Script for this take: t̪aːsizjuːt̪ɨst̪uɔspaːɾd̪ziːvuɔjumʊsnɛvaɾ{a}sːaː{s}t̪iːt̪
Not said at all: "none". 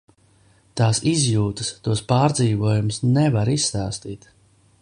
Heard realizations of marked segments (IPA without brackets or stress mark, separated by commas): i, s